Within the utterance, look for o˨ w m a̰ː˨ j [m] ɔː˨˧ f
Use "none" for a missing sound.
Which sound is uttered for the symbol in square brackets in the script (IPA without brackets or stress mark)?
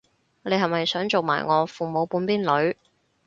ŋ